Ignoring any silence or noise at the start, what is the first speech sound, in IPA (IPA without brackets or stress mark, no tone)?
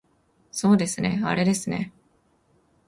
s